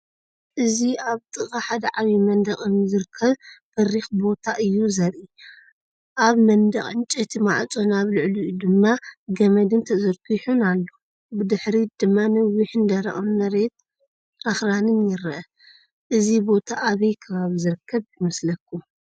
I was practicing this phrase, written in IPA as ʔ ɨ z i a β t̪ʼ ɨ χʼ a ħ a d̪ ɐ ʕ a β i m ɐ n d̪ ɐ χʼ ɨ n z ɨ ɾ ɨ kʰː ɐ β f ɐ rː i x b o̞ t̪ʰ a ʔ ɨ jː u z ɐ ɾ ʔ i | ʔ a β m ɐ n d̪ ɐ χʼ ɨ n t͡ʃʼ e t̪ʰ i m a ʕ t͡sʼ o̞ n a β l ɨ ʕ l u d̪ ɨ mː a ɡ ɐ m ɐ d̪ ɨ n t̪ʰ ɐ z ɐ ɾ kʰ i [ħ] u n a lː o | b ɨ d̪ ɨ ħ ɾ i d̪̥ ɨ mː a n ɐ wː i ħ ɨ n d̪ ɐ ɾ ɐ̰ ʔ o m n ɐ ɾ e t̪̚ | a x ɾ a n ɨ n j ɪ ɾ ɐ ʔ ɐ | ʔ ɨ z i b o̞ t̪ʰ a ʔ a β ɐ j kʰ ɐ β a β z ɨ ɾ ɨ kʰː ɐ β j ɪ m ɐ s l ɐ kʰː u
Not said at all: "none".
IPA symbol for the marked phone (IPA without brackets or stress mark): ħ